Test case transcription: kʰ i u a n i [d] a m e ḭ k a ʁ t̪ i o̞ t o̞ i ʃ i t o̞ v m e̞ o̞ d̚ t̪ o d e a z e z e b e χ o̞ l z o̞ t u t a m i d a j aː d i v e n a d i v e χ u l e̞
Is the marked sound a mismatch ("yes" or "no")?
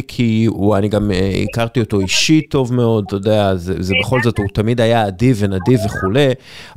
yes